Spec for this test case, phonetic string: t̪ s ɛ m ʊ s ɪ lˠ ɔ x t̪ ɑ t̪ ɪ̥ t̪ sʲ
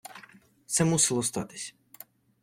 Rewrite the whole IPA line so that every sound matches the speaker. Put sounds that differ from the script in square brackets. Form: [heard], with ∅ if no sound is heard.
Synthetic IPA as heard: t̪ s ɛ m [u] s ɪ lˠ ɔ [s] t̪ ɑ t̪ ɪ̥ [∅] sʲ

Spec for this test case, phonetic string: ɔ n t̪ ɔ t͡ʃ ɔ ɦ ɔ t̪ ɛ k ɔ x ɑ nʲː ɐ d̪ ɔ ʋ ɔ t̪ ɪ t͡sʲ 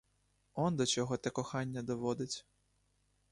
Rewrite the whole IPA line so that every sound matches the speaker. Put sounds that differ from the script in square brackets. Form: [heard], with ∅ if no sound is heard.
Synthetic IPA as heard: ɔ n [d̪] ɔ t͡ʃ ɔ ɦ ɔ t̪ ɛ k ɔ x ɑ nʲː ɐ d̪ ɔ ʋ ɔ [d̪] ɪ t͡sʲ

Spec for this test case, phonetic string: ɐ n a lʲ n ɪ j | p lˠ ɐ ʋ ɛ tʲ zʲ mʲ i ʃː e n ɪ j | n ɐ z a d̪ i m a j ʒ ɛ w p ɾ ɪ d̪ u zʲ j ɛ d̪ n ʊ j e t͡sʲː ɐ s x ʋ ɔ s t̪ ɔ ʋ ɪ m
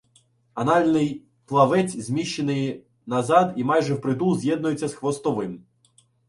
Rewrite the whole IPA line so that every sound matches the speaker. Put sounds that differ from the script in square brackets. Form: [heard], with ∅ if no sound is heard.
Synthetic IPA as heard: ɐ n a lʲ n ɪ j | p lˠ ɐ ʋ ɛ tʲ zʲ mʲ i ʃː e n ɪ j | n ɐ z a d̪ i m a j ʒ ɛ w p ɾ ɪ d̪ u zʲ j ɛ d̪ n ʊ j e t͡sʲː ɐ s x ʋ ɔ s t̪ ɔ ʋ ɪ m

